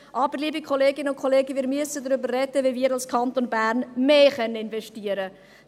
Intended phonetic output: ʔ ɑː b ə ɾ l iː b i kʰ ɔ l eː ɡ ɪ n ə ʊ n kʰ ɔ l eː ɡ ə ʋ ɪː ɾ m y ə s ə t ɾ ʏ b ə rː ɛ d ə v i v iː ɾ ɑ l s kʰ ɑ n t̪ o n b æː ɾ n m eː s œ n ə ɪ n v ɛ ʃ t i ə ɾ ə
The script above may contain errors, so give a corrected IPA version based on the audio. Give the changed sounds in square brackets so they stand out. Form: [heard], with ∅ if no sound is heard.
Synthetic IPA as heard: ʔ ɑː b ə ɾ l iː b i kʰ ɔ l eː ɡ ɪ n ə ʊ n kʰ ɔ l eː ɡ ə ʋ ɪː ɾ m y ə s ə [d] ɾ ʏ b ə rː ɛ d ə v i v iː ɾ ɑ l s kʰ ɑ n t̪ o n b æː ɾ n m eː [χ] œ n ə ɪ n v ɛ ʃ t i ə ɾ ə